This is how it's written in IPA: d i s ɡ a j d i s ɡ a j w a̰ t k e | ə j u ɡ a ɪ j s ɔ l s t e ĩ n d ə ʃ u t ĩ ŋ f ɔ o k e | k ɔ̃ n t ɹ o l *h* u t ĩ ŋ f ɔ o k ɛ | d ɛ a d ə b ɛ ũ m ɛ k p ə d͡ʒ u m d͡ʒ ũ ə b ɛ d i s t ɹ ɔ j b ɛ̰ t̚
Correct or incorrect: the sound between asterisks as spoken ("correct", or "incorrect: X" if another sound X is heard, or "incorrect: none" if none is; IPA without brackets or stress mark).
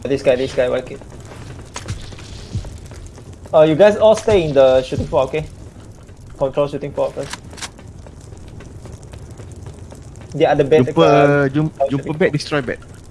incorrect: ʃ